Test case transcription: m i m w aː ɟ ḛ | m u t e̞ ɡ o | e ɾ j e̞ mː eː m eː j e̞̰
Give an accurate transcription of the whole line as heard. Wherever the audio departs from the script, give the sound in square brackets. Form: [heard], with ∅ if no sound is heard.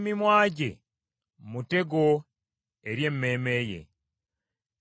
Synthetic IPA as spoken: m i m w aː ɟ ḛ | m u t e̞ ɡ o | e ɾ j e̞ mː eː m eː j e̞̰